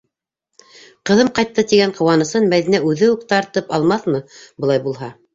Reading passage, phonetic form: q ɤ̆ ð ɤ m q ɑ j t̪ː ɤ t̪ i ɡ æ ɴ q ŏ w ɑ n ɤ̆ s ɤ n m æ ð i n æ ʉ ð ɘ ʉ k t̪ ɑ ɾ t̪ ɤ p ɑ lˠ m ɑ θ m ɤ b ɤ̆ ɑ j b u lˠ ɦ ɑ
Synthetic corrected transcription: q ɤ̆ ð ɤ m q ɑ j t̪ː ɤ t̪ i ɡ æ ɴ q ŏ w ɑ n ɤ̆ s ɤ n m æ ð i n æ ʉ ð ɘ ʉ k t̪ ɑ ɾ t̪ ɤ p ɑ lˠ m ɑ θ m ɤ b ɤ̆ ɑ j b u lˠ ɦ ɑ